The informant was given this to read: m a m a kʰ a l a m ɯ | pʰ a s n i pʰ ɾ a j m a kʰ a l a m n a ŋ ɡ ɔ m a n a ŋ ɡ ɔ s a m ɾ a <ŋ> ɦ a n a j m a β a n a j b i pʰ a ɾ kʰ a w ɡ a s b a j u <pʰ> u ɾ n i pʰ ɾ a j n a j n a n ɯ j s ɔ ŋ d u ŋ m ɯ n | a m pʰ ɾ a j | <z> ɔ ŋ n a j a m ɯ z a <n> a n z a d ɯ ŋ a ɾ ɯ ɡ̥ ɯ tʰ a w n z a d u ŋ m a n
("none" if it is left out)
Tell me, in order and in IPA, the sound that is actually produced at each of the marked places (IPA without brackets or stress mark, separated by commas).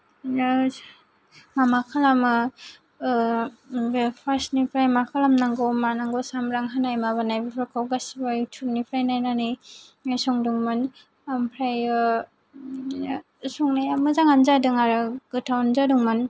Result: ŋ, tʰ, s, ŋ